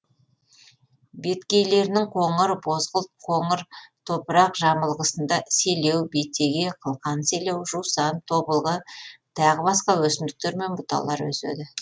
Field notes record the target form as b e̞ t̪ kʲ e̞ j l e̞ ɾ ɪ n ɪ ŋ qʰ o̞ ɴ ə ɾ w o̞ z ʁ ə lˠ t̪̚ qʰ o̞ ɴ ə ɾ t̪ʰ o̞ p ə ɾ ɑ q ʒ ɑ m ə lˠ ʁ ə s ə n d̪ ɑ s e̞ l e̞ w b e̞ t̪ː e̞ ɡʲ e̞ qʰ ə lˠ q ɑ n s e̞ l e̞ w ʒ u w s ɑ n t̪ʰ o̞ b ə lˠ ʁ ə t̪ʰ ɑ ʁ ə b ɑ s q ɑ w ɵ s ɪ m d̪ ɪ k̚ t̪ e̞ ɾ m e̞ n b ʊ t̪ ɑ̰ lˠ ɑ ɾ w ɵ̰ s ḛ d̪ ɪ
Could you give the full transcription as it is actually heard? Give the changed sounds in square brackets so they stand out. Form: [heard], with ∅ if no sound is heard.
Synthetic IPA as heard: b e̞ t̪ kʲ e̞ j l e̞ ɾ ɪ n ɪ ŋ qʰ o̞ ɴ ə ɾ [b] o̞ z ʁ ə lˠ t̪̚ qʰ o̞ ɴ ə ɾ t̪ʰ o̞ p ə ɾ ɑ q ʒ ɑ m ə lˠ ʁ ə s ə n d̪ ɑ s e̞ l e̞ w b e̞ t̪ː e̞ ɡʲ e̞ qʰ ə lˠ q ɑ n s e̞ l e̞ w ʒ u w s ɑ n t̪ʰ o̞ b ə lˠ ʁ ə t̪ʰ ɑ ʁ ə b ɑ s q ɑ w ɵ s ɪ m d̪ ɪ k̚ t̪ e̞ ɾ m e̞ n b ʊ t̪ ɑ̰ lˠ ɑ ɾ w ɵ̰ s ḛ d̪ ɪ